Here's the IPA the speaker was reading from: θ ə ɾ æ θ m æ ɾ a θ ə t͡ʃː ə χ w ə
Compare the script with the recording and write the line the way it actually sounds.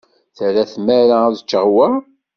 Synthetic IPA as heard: θ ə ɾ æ θ m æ ɾ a ð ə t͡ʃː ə ʁ w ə